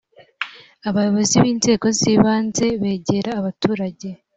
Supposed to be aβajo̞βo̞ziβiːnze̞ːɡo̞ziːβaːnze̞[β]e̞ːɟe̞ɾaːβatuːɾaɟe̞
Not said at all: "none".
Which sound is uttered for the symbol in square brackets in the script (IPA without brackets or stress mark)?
β